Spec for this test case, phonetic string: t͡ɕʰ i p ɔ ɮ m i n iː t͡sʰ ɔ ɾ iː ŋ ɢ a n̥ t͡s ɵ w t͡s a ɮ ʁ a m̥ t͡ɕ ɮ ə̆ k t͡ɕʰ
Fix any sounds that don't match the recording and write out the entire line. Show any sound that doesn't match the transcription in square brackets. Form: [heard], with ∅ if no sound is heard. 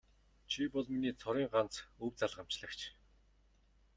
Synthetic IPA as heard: t͡ɕʰ i p ɔ ɮ m i n iː t͡sʰ ɔ ɾ iː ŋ ɢ a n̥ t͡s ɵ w t͡s a ɮ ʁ a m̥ t͡ɕ ɮ ə̆ k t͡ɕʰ